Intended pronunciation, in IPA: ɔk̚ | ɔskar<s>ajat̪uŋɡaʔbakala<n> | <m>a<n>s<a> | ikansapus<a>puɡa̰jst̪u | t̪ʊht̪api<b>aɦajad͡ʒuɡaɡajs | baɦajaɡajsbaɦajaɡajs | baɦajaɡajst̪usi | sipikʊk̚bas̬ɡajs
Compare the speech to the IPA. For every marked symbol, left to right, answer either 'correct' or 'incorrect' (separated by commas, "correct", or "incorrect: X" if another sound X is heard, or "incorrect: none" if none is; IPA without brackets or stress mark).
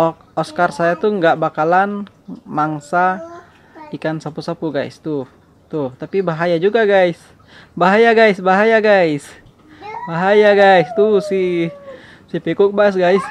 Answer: correct, correct, correct, incorrect: ŋ, correct, correct, correct